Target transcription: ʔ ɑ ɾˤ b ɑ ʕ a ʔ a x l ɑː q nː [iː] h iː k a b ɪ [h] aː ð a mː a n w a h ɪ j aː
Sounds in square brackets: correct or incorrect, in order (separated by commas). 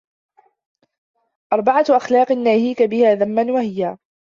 incorrect, correct